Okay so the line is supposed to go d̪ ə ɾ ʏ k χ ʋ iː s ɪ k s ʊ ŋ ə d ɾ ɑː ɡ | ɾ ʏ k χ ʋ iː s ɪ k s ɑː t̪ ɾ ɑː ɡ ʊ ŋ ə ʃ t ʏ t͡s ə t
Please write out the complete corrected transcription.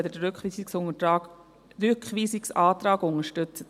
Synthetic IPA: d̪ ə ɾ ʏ k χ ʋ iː s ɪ k s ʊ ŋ ə t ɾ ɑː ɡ | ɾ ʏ k χ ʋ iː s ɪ k s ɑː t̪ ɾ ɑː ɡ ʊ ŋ ə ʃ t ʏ t͡s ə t